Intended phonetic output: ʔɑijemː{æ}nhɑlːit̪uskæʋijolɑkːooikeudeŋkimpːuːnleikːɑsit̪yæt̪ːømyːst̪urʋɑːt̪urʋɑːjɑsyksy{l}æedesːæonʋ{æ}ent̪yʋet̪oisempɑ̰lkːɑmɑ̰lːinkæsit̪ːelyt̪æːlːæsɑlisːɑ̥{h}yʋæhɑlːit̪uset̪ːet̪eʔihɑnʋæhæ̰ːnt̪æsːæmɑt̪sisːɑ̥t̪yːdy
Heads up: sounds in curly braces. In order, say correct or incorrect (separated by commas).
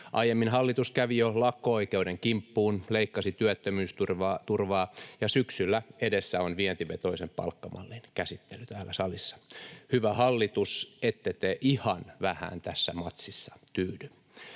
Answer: incorrect, incorrect, incorrect, correct